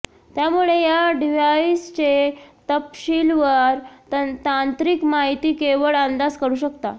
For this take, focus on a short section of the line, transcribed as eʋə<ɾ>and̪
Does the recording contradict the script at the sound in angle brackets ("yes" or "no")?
yes